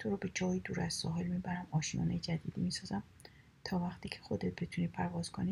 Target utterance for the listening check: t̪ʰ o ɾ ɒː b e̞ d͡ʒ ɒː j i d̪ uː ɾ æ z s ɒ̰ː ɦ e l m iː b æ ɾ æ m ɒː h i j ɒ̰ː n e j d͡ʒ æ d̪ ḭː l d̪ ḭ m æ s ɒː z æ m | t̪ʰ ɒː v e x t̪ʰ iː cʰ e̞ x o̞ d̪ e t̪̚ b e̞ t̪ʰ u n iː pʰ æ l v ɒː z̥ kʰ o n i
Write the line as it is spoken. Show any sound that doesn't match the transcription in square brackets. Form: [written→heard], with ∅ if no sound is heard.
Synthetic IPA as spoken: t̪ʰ o ɾ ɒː b e̞ d͡ʒ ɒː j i d̪ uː ɾ æ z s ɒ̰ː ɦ e l m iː b æ ɾ æ m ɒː [h→ʃ] i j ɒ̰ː n e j d͡ʒ æ d̪ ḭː [l→∅] d̪ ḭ m [æ→i] s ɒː z æ m | t̪ʰ ɒː v [e→æ] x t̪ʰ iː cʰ e̞ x o̞ d̪ e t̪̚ b e̞ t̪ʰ u n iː pʰ æ [l→ɾ] v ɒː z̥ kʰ o n i